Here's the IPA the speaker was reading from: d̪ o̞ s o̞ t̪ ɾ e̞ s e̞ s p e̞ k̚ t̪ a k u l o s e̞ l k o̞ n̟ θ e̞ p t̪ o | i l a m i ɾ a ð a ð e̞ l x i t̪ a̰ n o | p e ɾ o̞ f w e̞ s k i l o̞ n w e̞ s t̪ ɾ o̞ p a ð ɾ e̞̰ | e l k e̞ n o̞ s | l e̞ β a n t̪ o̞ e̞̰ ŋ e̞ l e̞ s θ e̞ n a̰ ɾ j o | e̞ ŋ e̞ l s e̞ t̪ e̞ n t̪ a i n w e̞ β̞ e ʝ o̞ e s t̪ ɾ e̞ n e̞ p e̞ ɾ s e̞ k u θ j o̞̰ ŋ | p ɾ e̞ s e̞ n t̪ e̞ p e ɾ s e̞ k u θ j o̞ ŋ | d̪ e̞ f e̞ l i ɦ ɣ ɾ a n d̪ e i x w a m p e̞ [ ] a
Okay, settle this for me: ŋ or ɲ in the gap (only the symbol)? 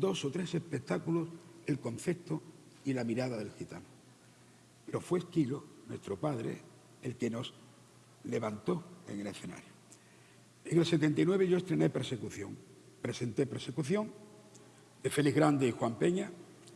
ɲ